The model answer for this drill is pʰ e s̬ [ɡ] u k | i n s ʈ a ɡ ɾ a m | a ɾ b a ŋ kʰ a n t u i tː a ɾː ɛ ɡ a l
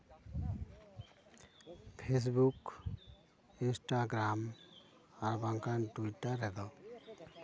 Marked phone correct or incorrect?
incorrect